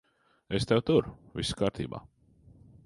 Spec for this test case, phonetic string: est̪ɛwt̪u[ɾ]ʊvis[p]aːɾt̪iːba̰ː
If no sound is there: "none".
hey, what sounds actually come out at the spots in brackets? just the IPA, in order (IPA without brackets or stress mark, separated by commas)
ɾ, k